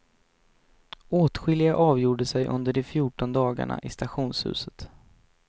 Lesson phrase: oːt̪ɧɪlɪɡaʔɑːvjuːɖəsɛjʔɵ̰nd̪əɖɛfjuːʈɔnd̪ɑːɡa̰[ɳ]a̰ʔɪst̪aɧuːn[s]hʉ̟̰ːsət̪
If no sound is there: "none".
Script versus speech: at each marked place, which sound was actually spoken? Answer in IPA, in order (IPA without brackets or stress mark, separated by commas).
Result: ɳ, s